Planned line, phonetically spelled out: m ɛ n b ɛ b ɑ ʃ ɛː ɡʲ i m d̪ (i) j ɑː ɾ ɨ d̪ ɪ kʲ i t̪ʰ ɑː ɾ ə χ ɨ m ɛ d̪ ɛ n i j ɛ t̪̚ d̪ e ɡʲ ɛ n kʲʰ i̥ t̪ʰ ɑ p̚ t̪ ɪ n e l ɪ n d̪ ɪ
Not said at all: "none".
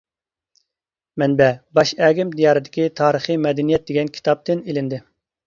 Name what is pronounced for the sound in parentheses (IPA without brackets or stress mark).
i